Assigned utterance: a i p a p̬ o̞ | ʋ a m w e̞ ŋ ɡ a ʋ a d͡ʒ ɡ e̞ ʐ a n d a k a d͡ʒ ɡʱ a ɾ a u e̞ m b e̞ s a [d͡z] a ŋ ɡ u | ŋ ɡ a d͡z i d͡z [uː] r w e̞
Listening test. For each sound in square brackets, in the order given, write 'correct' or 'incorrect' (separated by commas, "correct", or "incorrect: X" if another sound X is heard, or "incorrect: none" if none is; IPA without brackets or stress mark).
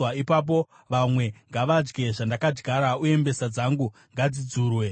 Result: correct, correct